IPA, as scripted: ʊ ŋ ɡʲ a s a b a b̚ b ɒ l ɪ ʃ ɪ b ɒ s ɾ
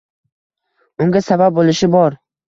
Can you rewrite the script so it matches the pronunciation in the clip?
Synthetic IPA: ʊ ŋ ɡʲ a s a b a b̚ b o l ɪ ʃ ɪ b ɒ ɾ